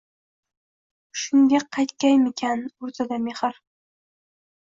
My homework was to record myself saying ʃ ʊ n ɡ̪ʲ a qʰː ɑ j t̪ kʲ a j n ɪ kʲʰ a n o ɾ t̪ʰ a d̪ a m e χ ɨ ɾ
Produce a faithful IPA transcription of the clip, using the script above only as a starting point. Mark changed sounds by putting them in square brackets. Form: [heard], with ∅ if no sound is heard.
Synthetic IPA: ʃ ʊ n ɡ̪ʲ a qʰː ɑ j t̪ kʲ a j [m] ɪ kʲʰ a n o ɾ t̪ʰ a d̪ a m e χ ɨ ɾ